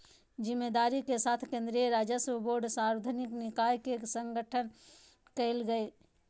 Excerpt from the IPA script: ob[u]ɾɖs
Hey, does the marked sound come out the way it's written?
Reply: no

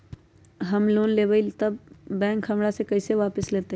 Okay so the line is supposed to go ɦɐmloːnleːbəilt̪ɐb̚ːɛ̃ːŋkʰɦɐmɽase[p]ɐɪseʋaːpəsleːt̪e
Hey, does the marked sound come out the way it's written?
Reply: no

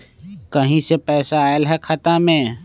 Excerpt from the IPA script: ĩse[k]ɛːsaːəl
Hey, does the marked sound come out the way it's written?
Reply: no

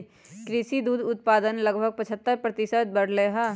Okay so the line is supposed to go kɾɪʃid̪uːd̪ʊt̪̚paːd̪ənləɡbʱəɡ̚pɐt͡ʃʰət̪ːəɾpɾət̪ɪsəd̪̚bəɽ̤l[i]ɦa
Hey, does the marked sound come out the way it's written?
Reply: no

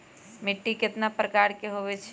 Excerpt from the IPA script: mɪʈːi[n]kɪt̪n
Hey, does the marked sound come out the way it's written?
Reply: no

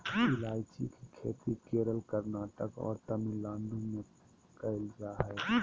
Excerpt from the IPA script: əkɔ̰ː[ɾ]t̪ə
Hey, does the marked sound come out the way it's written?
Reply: yes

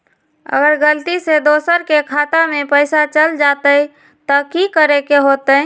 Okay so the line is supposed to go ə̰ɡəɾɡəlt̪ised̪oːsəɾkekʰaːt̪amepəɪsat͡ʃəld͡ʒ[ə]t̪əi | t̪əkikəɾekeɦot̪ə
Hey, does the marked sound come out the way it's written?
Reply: no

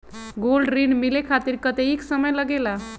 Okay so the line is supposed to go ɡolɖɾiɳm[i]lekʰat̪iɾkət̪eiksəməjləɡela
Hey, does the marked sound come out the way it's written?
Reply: yes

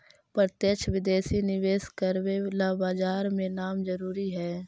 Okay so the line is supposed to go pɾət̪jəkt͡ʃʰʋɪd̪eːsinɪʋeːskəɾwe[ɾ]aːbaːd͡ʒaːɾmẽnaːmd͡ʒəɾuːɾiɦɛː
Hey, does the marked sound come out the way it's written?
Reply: no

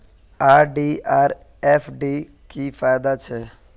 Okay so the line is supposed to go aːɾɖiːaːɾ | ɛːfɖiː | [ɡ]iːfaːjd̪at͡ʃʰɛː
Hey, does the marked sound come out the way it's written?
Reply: no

